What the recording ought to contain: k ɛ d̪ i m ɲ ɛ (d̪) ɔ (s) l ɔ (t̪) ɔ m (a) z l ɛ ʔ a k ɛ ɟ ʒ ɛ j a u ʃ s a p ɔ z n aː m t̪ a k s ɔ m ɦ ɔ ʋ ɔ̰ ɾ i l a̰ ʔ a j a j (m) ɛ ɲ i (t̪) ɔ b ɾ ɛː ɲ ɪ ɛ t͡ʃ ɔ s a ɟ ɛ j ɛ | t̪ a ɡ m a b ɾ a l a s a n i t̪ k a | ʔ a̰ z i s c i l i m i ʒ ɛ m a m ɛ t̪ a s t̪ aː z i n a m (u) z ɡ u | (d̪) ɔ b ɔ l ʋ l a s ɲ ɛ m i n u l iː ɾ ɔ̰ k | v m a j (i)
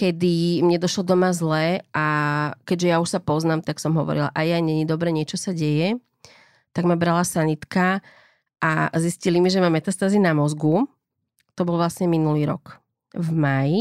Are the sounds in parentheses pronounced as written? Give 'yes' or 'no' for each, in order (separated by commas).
yes, no, no, yes, no, no, no, no, yes